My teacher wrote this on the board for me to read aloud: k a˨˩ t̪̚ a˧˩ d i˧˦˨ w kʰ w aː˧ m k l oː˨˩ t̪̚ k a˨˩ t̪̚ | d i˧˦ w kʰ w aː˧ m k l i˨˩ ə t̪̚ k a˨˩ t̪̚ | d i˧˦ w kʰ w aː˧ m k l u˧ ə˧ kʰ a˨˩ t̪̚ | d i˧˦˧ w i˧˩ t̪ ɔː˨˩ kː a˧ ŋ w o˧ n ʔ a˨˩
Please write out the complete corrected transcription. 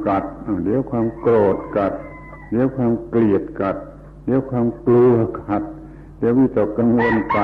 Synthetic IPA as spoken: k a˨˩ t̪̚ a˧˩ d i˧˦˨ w kʰ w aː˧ m k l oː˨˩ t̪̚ k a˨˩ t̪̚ | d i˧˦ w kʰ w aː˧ m k l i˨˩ ə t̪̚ k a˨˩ t̪̚ | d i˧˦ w kʰ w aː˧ m k l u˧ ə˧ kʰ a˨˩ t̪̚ | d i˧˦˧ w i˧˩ t̪ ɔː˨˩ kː a˧ ŋ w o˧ n k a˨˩